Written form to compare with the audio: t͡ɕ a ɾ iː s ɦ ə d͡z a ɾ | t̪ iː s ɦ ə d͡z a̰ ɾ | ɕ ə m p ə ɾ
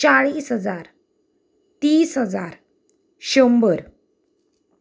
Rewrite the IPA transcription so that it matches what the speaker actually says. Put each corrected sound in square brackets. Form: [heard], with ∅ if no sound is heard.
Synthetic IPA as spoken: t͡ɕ a [ɭ] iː s ɦ ə d͡z a ɾ | t̪ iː s ɦ ə d͡z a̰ ɾ | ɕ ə m [b] ə ɾ